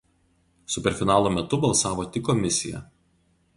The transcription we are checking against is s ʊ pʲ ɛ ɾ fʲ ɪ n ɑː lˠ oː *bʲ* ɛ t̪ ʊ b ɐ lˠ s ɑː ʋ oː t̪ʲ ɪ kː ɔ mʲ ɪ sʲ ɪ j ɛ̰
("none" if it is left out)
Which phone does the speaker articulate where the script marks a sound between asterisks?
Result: mʲ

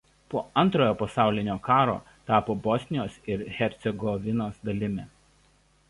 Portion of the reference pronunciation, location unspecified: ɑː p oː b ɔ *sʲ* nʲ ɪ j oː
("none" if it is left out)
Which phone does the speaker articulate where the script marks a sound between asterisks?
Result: sʲ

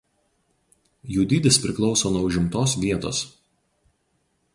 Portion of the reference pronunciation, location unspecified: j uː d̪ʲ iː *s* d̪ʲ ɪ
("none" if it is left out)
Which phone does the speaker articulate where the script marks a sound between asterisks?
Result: none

